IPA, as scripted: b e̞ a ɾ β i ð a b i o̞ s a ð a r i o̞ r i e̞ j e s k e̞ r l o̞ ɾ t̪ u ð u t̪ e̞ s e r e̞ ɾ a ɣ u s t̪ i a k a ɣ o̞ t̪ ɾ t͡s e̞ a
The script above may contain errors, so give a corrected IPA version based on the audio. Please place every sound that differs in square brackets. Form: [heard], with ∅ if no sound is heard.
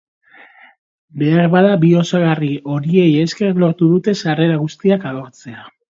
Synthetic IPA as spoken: b e̞ a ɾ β [a] ð a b i o̞ s a [ɣ] a r i o̞ [ɾ] i e̞ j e s k e̞ r l o̞ ɾ t̪ u ð u t̪ e̞ s [a] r e̞ ɾ a ɣ u s t̪ i a k a ɣ o̞ [∅] ɾ t͡s e̞ a

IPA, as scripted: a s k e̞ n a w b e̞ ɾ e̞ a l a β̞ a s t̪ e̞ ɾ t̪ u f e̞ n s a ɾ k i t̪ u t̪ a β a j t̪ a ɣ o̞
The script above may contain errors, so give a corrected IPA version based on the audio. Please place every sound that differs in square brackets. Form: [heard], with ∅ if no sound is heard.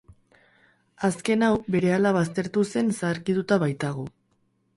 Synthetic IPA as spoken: a s k e̞ n a w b e̞ ɾ e̞ a l a β̞ a s t̪ e̞ ɾ t̪ u [s] e̞ n s a ɾ k i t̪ u t̪ a β a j t̪ a ɣ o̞

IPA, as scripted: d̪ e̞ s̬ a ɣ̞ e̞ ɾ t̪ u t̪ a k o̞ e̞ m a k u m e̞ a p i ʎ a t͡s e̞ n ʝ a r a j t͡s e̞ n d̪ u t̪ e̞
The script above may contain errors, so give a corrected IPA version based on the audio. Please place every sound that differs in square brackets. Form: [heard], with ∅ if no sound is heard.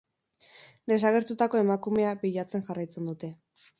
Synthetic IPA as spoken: d̪ e̞ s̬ a ɣ̞ e̞ ɾ t̪ u t̪ a k o̞ e̞ m a k u m e̞ a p i ʎ a t͡s e̞ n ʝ a r a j t͡s e̞ n d̪ u t̪ e̞

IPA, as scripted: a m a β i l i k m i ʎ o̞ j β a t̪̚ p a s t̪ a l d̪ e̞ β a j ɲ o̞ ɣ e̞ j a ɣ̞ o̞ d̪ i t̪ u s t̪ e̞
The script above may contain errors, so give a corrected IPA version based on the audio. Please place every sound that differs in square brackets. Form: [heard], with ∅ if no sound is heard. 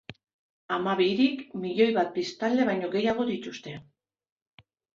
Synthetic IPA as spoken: a m a β i [ɾ] i k m i ʎ o̞ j β a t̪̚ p [i] s t̪ a l d̪ e̞ β a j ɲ o̞ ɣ e̞ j a ɣ̞ o̞ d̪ i t̪ u s t̪ e̞

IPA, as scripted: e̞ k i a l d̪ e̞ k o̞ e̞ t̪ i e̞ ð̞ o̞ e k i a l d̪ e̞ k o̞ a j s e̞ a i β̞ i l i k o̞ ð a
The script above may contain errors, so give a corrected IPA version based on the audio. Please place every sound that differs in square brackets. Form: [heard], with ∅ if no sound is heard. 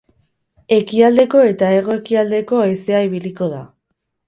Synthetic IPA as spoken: e̞ k i a l d̪ e̞ k o̞ e̞ t̪ [a] e̞ [ɣ̞] o̞ e k i a l d̪ e̞ k o̞ a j s e̞ a i β̞ i l i k o̞ ð a

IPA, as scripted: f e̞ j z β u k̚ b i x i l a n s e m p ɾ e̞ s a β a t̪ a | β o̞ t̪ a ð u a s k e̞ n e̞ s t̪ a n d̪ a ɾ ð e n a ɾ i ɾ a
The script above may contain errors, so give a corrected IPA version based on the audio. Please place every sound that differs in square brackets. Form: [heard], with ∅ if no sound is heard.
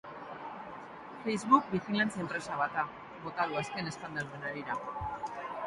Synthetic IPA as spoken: f e̞ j z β u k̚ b i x i l a n [t͡s] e m p ɾ e̞ s a β a t̪ a | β o̞ t̪ a ð u a s k e̞ n e̞ s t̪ a n d̪ a ɾ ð e n a ɾ i ɾ a

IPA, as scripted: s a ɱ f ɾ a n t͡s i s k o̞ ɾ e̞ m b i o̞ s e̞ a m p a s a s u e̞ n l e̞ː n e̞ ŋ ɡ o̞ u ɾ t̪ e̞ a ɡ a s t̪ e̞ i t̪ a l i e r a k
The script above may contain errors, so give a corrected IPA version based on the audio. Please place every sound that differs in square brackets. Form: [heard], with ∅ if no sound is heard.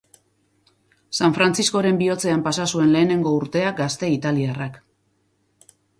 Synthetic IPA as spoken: s a ɱ f ɾ a n t͡s i s k o̞ ɾ e̞ m b i o̞ [t͡s] e̞ a m p a s a s u e̞ n l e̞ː n e̞ ŋ ɡ o̞ u ɾ t̪ e̞ a ɡ a s t̪ e̞ i t̪ a l i [a] r a k

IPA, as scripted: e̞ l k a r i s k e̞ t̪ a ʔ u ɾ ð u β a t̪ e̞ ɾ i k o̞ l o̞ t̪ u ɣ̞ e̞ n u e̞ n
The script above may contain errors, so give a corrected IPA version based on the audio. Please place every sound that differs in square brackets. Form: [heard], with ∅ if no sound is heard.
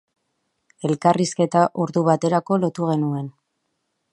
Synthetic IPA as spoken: e̞ l k a r i s k e̞ t̪ a ʔ u ɾ ð u β a t̪ e̞ ɾ [a] k o̞ l o̞ t̪ u ɣ̞ e̞ n u e̞ n

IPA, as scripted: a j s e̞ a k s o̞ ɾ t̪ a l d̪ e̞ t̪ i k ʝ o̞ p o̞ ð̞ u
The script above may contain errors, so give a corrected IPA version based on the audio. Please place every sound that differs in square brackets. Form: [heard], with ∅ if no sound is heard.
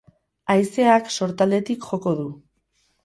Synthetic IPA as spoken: a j s e̞ a k s o̞ ɾ t̪ a l d̪ e̞ t̪ i k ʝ o̞ [k] o̞ ð̞ u

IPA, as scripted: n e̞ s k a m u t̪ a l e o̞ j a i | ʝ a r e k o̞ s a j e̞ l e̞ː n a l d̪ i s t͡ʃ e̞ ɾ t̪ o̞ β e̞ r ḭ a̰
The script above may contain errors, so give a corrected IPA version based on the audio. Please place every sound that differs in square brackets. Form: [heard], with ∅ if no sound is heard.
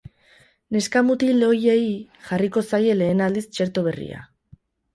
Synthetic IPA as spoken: n e̞ s k a m u t̪ [i] l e o̞ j [e] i | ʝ a r [i] k o̞ s a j e̞ l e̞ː n a l d̪ i s t͡ʃ e̞ ɾ t̪ o̞ β e̞ r ḭ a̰

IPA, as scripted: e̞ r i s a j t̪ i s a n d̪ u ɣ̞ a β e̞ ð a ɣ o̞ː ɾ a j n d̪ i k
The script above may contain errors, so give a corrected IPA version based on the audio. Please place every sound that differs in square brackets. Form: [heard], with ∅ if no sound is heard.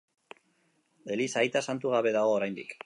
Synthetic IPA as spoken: e̞ [l] i s a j t̪ [a] s a n [t̪] u ɣ̞ a β e̞ ð a ɣ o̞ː ɾ a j n d̪ i k

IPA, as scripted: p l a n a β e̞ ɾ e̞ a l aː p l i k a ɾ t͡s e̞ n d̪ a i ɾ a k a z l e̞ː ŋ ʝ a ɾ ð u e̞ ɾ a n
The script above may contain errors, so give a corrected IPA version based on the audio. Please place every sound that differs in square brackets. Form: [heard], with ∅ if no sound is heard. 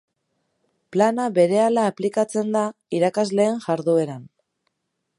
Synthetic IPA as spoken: p l a n a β e̞ ɾ e̞ a l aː p l i k a [∅] t͡s e̞ n d̪ a i ɾ a k a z l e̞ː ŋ ʝ a ɾ ð u e̞ ɾ a n

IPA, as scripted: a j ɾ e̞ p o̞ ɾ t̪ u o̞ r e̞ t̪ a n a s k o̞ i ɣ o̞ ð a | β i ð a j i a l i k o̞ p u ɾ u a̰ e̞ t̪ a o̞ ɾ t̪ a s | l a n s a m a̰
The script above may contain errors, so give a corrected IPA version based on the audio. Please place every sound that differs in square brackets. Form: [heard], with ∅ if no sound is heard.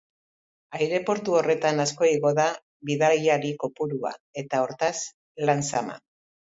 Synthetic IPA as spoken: a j ɾ e̞ p o̞ ɾ t̪ u o̞ r e̞ t̪ a n a s k o̞ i ɣ o̞ ð a | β i ð a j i a [ɾ] i k o̞ p u ɾ u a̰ e̞ t̪ a o̞ ɾ t̪ a s | l a n s a m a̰

